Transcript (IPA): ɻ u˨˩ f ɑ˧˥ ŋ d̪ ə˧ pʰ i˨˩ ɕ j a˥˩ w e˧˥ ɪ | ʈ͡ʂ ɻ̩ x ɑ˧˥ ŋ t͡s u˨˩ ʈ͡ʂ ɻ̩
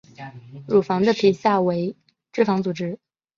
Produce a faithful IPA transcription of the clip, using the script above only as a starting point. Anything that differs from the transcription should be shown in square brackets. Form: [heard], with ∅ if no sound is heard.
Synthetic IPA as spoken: ɻ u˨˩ f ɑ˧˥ ŋ d̪ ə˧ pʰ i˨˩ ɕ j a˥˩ w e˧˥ ɪ | ʈ͡ʂ ɻ̩ [f] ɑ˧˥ ŋ t͡s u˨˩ ʈ͡ʂ ɻ̩